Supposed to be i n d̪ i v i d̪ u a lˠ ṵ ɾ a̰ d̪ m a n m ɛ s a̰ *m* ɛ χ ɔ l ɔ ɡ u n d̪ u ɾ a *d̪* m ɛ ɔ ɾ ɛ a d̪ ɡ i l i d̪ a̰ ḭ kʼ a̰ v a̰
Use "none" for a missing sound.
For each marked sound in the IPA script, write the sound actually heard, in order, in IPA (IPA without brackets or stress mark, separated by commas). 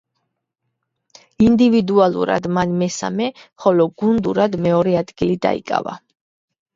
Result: m, d̪